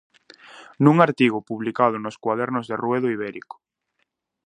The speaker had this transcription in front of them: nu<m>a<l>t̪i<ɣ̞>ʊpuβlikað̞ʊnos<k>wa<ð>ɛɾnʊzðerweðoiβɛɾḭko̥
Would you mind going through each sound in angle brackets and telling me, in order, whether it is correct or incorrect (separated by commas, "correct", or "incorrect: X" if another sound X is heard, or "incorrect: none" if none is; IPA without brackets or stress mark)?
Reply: incorrect: ŋ, incorrect: ɾ, correct, correct, correct